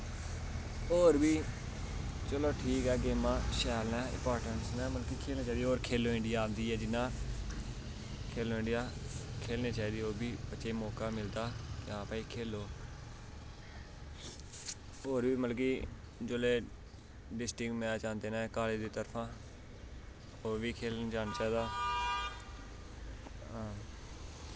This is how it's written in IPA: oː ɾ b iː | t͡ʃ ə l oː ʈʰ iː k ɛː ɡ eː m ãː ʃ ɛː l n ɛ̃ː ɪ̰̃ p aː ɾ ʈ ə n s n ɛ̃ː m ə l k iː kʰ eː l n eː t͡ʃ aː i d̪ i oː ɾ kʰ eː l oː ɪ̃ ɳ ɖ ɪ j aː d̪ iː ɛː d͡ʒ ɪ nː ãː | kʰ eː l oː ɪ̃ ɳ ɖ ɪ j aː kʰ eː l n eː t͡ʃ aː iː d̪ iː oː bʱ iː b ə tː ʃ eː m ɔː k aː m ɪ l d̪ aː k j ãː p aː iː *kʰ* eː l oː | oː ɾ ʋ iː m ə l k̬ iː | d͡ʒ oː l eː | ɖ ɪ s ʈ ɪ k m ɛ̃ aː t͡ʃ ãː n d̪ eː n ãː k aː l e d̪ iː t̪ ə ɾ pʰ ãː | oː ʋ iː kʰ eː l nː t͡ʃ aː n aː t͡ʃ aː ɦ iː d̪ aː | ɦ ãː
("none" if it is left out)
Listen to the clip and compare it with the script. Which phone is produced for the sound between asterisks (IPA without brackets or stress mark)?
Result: kʰ